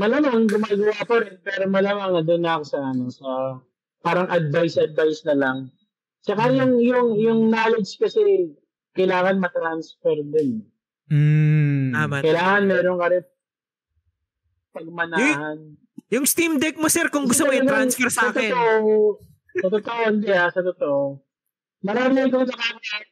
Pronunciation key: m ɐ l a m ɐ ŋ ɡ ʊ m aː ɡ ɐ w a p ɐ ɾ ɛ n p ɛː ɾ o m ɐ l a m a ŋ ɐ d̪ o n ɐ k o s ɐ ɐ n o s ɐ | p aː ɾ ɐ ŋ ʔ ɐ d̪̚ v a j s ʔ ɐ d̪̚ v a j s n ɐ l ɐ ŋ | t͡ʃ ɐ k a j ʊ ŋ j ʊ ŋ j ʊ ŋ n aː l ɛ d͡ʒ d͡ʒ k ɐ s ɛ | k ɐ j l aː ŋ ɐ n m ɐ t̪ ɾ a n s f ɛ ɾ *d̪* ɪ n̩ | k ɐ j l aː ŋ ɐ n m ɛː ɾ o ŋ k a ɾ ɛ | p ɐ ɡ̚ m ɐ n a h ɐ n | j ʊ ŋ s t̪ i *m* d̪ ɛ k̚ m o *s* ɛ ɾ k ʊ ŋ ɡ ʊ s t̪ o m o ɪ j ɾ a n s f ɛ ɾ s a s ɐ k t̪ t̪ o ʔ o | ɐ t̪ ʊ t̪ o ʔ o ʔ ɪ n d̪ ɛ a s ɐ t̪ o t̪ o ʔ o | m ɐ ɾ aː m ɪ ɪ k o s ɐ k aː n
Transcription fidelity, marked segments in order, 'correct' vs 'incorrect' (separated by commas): correct, correct, correct